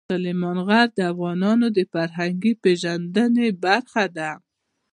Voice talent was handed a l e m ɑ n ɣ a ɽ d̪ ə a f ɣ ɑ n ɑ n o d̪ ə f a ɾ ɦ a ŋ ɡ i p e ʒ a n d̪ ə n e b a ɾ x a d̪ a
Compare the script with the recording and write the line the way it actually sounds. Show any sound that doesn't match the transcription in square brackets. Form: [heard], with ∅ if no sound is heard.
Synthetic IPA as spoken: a l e m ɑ n ɣ a [ɾ] d̪ ə a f ɣ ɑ n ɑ n o d̪ ə f a ɾ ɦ a ŋ ɡ i p e ʒ a n d̪ ə n e b a ɾ x a d̪ a

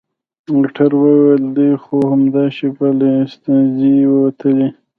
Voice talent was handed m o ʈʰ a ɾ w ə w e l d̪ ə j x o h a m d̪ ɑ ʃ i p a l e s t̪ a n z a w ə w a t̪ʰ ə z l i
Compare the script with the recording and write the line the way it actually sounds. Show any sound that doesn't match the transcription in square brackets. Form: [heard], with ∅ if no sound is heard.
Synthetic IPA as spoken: m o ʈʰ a ɾ w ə w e l d̪ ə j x o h a m d̪ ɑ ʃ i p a l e s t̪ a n z [i] w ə w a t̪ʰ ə [∅] l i

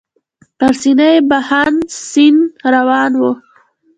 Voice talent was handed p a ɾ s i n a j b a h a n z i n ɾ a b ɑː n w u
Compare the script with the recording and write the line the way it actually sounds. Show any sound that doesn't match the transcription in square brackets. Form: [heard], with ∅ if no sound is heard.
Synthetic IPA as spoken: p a ɾ s i n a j b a h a n [s] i n ɾ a [w] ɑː n w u

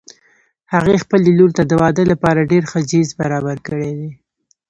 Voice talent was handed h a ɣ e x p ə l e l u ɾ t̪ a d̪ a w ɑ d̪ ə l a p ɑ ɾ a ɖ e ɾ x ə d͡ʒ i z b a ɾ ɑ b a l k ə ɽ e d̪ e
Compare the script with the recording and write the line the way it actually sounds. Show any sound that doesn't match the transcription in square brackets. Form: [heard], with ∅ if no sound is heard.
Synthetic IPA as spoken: h a ɣ e x p ə l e l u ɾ t̪ a d̪ [ə] w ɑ d̪ ə l a p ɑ ɾ a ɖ e ɾ x ə d͡ʒ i z b a ɾ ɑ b a [ɾ] k ə ɽ e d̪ e

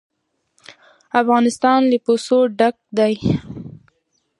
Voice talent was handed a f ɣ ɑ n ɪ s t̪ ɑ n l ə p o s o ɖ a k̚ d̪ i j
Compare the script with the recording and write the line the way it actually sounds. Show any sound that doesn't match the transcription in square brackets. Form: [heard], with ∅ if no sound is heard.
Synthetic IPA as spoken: a f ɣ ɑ n ɪ s t̪ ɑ n l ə p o s o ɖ a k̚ d̪ [a] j

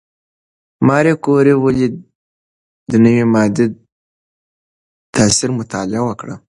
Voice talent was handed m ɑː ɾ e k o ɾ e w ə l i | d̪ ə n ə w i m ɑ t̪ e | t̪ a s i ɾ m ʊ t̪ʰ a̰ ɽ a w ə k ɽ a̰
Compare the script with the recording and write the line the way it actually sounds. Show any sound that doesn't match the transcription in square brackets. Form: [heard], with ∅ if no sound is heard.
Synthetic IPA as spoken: m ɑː ɾ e k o ɾ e w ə l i | d̪ ə n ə w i m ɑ [d̪] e | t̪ a s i ɾ m ʊ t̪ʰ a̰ [l] a w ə k ɽ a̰

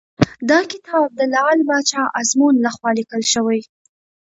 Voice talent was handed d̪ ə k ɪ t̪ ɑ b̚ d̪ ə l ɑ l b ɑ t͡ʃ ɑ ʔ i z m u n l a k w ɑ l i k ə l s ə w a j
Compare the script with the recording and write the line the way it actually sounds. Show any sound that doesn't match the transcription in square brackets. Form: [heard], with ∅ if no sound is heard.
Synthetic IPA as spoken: d̪ [ɑ] k ɪ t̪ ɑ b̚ d̪ ə l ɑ l b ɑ t͡ʃ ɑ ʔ [a] z m u n l a [x] w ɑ l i k ə l [ʃ] ə w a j

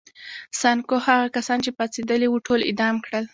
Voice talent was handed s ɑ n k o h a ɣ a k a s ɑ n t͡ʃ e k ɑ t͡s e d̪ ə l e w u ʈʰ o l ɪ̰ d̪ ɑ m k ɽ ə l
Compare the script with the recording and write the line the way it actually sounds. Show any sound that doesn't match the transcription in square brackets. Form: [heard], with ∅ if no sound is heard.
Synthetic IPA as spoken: s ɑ n k o h a ɣ a k a s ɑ n t͡ʃ e [p] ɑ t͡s e d̪ ə l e w u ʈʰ o l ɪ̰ d̪ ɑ m k ɽ ə l

